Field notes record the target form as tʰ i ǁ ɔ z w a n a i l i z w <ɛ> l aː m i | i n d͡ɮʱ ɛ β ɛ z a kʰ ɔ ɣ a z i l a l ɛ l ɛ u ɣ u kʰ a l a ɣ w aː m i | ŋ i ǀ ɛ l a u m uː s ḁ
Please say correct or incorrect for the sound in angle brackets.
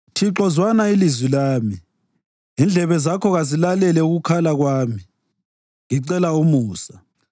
incorrect